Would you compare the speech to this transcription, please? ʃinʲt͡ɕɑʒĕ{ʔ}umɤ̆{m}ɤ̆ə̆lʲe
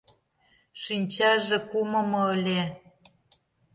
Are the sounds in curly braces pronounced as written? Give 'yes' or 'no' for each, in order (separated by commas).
no, yes